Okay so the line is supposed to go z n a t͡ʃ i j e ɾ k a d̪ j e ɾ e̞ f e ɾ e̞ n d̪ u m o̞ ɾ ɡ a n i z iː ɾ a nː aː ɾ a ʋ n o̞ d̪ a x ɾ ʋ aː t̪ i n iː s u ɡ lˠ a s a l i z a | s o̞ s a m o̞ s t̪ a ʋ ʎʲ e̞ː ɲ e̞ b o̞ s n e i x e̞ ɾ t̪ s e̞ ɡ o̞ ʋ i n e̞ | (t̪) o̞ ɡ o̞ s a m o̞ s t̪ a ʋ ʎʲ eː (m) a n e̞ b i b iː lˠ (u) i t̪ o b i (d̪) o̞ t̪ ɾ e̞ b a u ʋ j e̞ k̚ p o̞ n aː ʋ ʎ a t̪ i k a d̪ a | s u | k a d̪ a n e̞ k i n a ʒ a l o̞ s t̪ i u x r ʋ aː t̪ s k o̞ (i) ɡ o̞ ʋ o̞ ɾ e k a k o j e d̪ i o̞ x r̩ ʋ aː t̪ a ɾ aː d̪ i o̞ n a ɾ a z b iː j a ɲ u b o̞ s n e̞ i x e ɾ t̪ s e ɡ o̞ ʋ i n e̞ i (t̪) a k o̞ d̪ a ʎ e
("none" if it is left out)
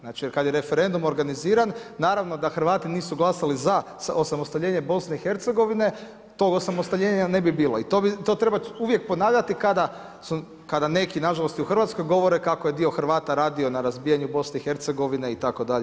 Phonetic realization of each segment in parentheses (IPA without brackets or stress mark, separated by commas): t̪, ɲ, o, t̪, j, t̪